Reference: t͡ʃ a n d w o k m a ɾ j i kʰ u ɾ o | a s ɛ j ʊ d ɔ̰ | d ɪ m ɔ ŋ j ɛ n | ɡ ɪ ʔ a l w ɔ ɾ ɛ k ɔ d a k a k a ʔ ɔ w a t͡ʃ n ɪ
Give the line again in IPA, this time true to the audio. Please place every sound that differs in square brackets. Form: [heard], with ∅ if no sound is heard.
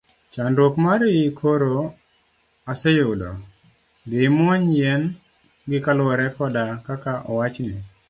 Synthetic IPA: t͡ʃ a n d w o k m a ɾ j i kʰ [o] ɾ o | a s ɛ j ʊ d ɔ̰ | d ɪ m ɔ [ɲ] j ɛ n | ɡ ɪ [k] a l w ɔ ɾ ɛ k ɔ d a k a k a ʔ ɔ w a t͡ʃ n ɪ